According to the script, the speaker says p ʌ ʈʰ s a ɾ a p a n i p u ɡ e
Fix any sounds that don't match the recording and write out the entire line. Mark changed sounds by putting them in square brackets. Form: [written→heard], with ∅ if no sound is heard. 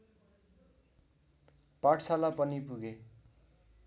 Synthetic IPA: p [ʌ→a] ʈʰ s a [ɾ→l] a p [a→ʌ] n i p u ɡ e